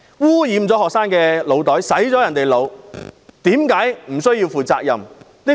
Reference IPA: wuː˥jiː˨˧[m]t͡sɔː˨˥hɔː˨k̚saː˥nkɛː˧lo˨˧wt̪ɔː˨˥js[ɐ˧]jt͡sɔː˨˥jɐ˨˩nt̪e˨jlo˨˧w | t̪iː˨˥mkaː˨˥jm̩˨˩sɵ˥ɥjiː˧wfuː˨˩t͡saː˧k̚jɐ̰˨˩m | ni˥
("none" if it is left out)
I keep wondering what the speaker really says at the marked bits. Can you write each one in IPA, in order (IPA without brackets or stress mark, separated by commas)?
m, ɐ˨˥